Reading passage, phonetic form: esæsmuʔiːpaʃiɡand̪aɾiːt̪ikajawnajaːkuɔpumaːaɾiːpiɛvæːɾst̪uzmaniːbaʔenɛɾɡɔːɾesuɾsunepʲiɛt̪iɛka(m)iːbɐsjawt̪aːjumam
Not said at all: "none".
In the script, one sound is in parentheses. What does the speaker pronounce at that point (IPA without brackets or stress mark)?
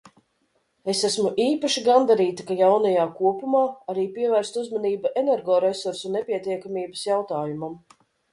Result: m